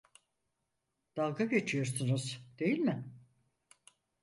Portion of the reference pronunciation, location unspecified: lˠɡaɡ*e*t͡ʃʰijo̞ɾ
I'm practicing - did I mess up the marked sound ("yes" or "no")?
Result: no